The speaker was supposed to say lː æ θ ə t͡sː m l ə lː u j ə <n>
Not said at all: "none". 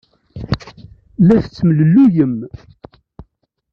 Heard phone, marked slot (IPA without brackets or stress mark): m